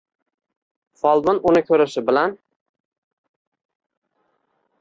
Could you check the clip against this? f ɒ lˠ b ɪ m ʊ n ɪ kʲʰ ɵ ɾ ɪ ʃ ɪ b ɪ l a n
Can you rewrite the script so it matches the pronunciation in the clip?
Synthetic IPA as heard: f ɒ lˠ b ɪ n ʊ n ɪ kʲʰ ɵ ɾ ɪ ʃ ɪ b ɪ l a n